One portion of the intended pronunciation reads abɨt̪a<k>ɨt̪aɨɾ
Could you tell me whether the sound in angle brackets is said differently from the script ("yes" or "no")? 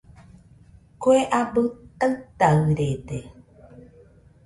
yes